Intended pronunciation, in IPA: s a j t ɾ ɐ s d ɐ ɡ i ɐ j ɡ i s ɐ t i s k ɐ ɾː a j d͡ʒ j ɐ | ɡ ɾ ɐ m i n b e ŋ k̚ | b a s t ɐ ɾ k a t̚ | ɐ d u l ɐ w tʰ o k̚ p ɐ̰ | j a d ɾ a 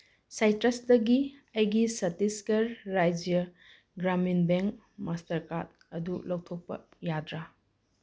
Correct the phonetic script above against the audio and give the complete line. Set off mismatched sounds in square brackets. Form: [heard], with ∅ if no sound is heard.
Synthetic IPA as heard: s a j t ɾ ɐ s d ɐ ɡ i ɐ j ɡ i s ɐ t i s k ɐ ɾː a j d͡ʒ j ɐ | ɡ ɾ [a] m i n b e ŋ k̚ | [m] a s t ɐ ɾ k a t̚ | ɐ d u l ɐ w tʰ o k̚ p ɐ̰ | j a d ɾ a